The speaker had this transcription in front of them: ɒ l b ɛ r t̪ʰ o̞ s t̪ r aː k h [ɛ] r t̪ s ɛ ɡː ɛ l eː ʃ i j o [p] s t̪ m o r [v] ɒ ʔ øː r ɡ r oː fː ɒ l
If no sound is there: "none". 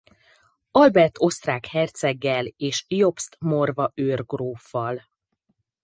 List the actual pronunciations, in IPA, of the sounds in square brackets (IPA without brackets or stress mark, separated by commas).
ɛ, p, v